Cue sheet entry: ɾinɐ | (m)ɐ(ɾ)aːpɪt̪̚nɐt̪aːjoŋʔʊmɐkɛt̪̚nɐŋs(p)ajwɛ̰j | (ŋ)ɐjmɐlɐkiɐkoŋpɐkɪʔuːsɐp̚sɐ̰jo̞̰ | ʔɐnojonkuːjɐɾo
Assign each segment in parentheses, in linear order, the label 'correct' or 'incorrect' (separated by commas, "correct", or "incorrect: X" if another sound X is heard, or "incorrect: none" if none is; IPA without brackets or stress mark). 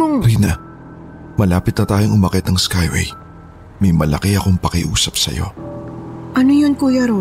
correct, incorrect: l, incorrect: k, incorrect: m